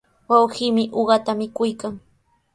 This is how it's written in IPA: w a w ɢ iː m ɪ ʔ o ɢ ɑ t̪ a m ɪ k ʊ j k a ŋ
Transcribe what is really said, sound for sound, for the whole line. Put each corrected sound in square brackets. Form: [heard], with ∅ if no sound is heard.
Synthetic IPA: w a w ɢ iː m ɪ ʔ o ɢ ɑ t̪ a m ɪ k ʊ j k a ŋ